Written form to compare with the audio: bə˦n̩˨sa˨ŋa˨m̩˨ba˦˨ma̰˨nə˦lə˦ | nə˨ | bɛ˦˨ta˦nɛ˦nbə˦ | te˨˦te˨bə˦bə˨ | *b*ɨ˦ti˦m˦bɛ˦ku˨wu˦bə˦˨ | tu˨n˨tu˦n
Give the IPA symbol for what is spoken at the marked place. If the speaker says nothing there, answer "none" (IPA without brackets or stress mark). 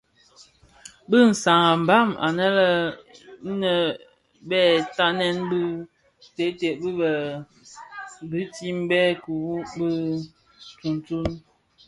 b